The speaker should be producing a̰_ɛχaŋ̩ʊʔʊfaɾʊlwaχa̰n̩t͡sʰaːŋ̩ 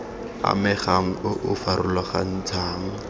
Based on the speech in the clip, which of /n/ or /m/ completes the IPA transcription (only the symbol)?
m